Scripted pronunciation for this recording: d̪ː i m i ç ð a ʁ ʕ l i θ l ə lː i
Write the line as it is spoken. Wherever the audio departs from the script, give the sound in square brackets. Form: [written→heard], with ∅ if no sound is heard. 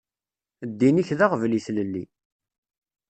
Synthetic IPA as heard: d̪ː i [m→n] i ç ð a ʁ [ʕ→v] l i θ l ə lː i